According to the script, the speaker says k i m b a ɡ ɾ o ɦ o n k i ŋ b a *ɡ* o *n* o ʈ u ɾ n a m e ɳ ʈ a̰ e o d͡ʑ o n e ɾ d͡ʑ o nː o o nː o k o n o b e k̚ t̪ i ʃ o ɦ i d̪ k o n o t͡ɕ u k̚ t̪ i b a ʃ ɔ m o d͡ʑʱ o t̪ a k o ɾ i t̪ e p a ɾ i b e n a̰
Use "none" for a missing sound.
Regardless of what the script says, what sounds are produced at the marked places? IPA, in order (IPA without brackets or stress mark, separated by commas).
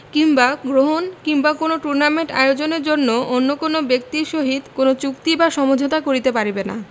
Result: k, n